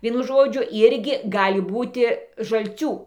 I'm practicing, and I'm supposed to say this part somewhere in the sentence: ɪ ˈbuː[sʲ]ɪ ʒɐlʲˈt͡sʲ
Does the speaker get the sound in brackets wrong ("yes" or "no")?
yes